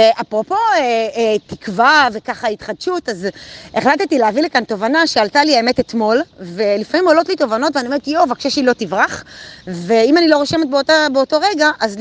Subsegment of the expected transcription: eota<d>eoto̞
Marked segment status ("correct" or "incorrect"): incorrect